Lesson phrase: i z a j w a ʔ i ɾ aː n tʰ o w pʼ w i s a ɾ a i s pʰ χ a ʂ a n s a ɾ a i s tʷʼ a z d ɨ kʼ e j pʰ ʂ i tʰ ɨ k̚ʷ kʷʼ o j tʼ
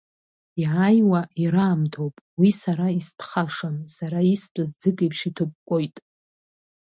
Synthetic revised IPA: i ʕ a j w a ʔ i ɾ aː m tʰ o w pʼ w i s a ɾ a i s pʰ χ a ʂ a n s a ɾ a i s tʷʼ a z d͡z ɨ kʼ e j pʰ ʂ i tʰ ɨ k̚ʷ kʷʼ o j tʼ